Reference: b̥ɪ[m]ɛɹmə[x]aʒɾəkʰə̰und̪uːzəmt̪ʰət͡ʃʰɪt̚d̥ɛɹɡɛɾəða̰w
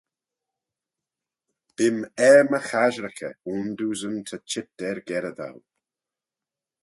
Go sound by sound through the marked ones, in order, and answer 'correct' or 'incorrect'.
correct, correct

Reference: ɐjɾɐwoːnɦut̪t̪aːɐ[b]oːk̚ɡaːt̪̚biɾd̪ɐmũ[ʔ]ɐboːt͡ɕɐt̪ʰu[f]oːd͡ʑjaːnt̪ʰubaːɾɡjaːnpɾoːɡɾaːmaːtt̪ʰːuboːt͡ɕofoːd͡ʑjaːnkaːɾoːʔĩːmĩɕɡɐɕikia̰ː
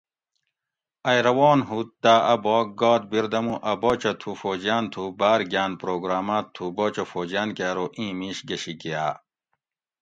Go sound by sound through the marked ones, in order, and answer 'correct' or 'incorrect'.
correct, correct, correct

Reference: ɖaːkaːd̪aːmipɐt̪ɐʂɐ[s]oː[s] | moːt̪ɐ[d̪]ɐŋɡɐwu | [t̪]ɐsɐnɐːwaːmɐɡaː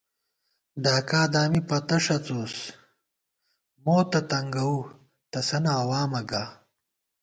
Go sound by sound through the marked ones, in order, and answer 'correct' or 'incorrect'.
incorrect, correct, incorrect, correct

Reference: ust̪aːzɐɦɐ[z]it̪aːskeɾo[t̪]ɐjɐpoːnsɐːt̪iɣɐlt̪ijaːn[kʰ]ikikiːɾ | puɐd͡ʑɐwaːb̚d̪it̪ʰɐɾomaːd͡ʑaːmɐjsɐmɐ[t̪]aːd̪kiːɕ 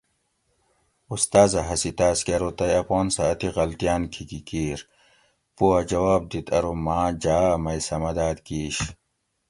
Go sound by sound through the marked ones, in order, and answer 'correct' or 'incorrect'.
incorrect, correct, correct, incorrect

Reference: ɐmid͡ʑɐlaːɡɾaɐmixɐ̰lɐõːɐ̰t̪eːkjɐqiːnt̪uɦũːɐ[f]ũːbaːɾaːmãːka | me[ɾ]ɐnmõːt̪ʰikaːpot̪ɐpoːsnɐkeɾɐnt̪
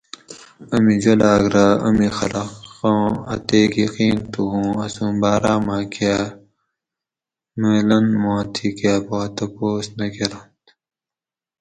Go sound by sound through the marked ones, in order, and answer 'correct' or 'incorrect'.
incorrect, incorrect

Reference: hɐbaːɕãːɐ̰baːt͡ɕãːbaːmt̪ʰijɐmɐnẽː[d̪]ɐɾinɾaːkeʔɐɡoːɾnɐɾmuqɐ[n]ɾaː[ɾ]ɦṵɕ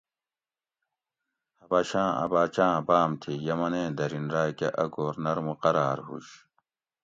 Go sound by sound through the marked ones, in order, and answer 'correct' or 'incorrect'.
correct, incorrect, correct

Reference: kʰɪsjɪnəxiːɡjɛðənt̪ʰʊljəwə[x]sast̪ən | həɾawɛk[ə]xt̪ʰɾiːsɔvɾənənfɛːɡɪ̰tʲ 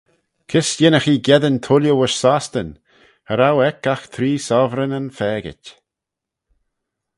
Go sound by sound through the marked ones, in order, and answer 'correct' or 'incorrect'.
incorrect, incorrect

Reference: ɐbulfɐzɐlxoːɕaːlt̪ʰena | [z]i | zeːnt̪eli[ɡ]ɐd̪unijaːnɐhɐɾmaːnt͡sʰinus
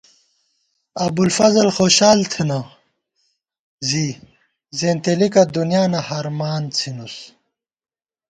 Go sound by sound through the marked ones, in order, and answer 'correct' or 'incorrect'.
correct, incorrect

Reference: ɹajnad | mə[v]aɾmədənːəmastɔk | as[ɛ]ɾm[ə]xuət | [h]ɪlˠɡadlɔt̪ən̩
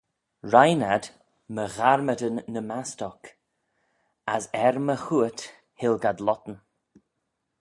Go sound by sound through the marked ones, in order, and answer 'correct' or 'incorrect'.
incorrect, correct, correct, correct

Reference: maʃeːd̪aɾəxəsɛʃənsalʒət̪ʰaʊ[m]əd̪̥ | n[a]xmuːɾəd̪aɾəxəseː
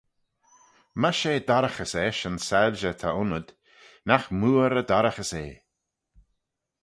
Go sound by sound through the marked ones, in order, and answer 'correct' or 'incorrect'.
incorrect, correct

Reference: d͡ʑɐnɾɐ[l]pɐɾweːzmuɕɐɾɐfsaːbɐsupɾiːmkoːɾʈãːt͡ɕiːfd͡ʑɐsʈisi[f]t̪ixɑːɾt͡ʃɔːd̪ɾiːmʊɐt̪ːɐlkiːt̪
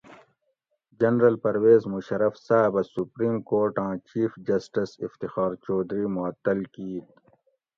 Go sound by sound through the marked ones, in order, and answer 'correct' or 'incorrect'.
correct, correct

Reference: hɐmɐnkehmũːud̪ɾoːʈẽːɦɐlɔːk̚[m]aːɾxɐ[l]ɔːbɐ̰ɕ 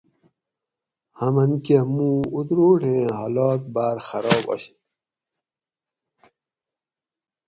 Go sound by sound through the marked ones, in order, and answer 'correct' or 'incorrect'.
incorrect, incorrect

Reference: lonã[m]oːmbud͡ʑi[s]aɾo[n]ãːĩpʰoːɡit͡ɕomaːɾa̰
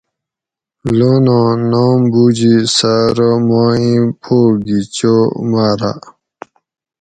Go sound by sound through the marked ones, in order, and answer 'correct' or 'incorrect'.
incorrect, correct, incorrect

